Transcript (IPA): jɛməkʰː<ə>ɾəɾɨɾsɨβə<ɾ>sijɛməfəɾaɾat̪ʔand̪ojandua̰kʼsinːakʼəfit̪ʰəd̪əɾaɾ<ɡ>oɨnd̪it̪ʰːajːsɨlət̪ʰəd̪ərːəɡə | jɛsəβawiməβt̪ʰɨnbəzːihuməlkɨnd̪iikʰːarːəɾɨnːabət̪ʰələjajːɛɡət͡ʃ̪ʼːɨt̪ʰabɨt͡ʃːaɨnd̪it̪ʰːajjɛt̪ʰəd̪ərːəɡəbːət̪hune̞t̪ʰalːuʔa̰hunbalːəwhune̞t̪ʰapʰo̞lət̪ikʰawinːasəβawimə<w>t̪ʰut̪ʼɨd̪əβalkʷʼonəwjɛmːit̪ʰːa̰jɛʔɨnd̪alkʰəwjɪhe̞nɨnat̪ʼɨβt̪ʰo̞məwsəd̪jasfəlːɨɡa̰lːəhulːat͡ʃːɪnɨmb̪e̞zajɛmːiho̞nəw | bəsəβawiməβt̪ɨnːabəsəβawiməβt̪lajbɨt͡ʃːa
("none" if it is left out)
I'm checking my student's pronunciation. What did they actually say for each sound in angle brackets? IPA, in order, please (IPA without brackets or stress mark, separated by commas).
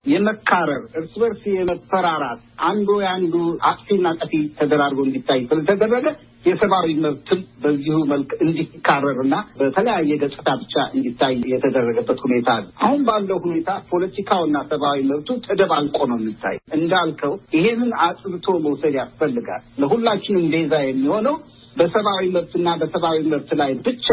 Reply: a, ɾ, ɡ, β